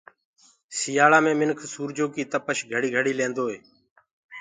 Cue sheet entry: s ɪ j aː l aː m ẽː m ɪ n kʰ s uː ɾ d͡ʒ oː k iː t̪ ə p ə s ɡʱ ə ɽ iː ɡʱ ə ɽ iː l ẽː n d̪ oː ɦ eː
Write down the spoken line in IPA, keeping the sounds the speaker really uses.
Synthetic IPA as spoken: s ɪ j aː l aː m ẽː m ɪ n kʰ s uː ɾ d͡ʒ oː k iː t̪ ə p ə ʃ ɡʱ ə ɽ iː ɡʱ ə ɽ iː l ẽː n d̪ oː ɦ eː